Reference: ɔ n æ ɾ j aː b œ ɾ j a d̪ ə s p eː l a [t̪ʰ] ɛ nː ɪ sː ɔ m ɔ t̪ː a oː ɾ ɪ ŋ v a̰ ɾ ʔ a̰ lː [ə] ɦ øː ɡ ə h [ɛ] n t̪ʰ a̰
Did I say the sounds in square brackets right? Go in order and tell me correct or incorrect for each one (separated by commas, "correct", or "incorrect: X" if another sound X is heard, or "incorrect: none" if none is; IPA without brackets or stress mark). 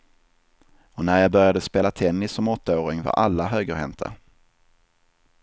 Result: correct, incorrect: a, correct